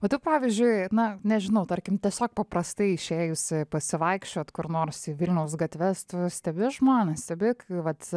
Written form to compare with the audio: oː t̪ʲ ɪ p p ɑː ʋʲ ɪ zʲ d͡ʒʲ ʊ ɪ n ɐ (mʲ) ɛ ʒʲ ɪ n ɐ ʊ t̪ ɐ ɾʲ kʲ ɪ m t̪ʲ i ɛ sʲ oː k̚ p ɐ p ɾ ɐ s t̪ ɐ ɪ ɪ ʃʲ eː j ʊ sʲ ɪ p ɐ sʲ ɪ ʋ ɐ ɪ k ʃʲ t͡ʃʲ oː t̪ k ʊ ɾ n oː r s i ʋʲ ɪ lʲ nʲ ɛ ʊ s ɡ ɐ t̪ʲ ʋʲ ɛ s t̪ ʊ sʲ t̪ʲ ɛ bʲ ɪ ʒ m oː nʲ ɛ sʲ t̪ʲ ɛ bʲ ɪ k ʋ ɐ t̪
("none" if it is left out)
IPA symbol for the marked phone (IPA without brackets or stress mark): nʲ